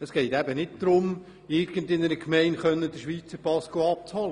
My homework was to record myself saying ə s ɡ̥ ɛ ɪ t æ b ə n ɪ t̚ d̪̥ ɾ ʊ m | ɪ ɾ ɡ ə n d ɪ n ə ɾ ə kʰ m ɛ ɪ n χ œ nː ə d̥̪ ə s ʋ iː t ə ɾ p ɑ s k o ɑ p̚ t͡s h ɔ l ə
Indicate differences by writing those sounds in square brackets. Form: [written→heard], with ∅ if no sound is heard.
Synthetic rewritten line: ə s ɡ̥ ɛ ɪ t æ b ə n ɪ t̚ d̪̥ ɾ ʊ m | ɪ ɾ ɡ ə n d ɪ n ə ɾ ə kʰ m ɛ ɪ n χ œ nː ə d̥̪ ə [s→ʃ] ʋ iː [t→t͡s] ə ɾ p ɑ s k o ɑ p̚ t͡s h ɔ l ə